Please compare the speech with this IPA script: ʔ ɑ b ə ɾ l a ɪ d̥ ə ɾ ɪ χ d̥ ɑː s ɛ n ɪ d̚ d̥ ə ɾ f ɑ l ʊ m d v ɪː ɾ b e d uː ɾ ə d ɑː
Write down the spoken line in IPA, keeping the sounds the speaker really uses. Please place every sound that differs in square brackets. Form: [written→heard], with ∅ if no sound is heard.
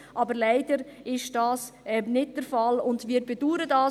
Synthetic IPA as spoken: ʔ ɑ b ə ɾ l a ɪ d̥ ə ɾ ɪ [χ→ʃ] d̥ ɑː s ɛ n ɪ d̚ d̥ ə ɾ f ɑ l ʊ [m→n] d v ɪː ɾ b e d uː ɾ ə d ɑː